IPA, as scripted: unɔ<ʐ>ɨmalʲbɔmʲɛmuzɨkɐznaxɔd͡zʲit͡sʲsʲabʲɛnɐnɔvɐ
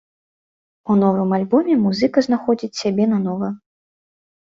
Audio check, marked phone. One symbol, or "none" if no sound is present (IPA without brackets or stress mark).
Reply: v